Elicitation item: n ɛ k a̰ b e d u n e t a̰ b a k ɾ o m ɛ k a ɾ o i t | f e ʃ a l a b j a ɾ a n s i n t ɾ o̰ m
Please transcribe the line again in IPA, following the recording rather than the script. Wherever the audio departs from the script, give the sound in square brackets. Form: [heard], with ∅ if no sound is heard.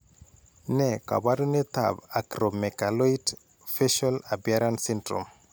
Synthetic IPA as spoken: n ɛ k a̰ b [a] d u n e t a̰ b a k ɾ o m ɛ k a [l] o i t | f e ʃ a l a b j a ɾ a n s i n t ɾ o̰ m